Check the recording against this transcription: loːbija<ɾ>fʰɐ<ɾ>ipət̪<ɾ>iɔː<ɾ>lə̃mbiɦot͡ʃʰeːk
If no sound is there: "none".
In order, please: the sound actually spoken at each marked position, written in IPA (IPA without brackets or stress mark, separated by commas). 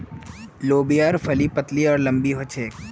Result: ɾ, l, l, ɾ